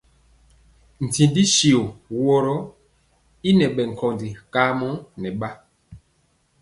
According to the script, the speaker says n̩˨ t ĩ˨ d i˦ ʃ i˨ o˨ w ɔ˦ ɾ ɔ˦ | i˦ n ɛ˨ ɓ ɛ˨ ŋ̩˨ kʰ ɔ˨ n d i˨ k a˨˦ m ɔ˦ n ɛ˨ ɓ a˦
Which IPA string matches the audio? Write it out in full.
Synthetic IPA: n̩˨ t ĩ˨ d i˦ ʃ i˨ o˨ w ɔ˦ ɾ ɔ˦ | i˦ n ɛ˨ ɓ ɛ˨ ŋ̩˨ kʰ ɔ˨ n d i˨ k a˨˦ m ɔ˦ n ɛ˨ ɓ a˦